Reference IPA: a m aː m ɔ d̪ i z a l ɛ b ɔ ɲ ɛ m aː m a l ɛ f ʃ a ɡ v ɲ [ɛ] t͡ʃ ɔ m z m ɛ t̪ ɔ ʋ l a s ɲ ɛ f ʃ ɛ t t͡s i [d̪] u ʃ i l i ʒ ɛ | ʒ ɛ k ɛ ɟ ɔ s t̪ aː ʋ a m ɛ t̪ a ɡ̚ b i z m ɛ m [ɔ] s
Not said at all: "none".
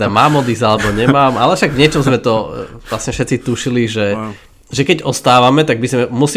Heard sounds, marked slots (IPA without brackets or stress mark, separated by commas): ɛ, t̪, u